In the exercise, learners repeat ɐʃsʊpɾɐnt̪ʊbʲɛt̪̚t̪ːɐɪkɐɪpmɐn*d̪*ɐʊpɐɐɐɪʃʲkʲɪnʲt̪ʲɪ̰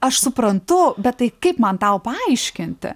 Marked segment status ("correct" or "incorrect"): incorrect